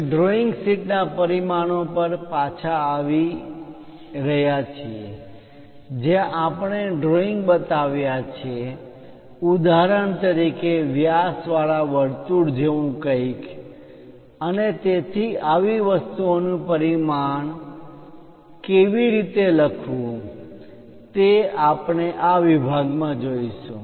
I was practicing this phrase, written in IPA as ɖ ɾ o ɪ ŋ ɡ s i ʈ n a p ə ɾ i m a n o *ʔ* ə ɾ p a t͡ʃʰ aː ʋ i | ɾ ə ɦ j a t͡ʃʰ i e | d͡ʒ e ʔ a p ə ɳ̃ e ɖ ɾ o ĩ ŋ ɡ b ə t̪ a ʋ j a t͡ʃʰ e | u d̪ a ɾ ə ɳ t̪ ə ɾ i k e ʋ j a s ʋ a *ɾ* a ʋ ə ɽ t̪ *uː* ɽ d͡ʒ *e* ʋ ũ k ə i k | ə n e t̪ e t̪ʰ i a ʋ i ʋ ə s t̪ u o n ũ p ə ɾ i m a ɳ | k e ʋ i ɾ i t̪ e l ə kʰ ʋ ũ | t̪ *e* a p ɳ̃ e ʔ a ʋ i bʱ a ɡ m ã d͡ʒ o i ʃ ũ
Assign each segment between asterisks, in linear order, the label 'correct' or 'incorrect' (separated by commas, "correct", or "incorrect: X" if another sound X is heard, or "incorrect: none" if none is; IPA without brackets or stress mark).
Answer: incorrect: p, incorrect: ɭ, incorrect: u, correct, correct